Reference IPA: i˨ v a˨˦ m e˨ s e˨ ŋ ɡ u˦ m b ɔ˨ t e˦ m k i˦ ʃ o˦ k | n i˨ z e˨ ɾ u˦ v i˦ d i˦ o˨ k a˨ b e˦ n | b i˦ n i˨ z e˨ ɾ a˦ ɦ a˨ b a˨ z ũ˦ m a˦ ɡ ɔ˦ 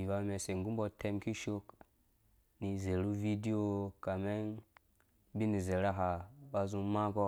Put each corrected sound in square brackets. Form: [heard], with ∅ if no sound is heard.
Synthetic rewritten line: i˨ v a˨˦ m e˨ s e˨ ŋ ɡ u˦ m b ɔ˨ t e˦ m k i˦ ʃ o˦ k | n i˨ z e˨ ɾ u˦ v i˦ d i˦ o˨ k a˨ [m] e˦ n | b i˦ n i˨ z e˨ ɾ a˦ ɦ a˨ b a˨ z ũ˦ m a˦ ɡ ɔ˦